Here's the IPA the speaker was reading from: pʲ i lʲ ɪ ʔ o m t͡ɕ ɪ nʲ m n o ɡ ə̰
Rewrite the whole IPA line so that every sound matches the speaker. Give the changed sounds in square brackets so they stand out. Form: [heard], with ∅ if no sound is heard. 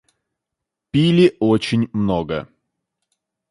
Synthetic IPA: pʲ i lʲ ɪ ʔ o [∅] t͡ɕ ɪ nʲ m n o ɡ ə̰